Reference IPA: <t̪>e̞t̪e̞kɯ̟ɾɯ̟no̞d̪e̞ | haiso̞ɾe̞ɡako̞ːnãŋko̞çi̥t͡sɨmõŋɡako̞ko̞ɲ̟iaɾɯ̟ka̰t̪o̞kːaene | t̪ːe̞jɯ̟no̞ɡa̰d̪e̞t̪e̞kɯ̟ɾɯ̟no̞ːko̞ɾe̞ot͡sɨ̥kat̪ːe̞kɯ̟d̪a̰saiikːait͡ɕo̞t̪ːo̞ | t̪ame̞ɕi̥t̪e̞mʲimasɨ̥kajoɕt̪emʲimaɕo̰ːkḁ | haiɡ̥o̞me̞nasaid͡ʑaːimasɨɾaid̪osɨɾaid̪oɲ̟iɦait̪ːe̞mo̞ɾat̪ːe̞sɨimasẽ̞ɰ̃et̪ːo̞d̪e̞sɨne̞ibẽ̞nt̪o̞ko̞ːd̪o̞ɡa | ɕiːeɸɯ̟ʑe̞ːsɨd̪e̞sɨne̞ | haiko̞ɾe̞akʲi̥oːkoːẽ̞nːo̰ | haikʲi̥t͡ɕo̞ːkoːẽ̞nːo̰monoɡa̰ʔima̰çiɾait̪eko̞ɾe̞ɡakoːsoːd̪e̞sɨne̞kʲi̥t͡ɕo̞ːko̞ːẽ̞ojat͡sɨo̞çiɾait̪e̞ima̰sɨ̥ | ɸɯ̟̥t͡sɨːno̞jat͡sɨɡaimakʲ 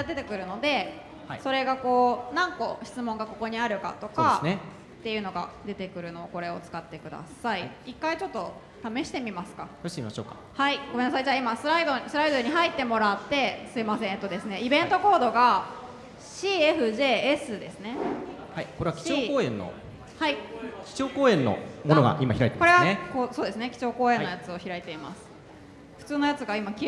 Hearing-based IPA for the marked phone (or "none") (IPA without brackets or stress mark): d̪